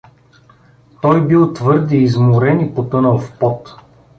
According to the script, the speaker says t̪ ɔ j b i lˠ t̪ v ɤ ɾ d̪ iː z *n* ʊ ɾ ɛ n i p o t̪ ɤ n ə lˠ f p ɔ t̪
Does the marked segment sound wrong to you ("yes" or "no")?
yes